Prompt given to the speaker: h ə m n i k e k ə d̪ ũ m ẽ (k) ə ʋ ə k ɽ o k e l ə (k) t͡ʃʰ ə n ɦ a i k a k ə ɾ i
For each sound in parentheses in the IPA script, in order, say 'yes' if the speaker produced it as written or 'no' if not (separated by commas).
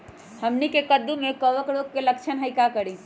yes, yes